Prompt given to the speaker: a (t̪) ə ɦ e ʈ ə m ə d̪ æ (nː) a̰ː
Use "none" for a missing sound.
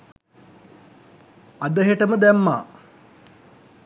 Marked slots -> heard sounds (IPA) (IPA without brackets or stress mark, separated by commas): d̪, mː